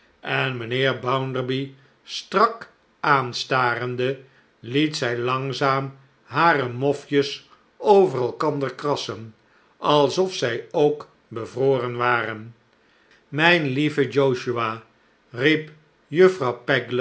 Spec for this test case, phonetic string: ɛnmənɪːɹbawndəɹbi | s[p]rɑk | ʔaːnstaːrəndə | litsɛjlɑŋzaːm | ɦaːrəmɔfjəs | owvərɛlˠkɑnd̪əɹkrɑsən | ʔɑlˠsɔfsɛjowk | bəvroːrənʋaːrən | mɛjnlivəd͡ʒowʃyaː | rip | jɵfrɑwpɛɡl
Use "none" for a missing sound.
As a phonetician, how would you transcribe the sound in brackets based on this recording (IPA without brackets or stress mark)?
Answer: t